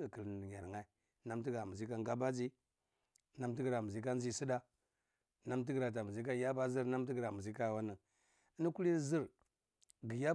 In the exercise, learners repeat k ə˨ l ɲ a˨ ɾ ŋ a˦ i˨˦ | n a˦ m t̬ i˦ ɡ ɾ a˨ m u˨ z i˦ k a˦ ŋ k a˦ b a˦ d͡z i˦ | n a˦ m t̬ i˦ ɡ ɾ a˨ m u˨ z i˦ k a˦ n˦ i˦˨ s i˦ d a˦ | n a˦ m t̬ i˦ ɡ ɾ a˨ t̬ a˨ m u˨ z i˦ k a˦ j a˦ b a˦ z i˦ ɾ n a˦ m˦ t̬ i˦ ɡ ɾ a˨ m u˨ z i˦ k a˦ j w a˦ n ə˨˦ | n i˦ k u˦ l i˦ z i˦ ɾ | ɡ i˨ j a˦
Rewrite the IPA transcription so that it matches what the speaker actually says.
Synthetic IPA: k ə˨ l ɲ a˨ ɾ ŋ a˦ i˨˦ | n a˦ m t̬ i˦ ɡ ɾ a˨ m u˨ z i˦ k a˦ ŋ ɡ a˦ b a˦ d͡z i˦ | n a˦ m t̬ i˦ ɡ ɾ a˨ m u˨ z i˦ k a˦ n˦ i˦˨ s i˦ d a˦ | n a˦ m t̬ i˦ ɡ ɾ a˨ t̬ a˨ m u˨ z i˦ k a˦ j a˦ b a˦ z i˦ ɾ n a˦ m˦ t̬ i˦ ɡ ɾ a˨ m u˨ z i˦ k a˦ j w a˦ n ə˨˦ | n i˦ k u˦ l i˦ z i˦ ɾ | ɡ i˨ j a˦